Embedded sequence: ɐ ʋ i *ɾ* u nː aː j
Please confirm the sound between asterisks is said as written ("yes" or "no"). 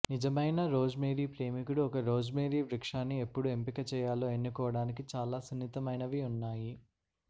no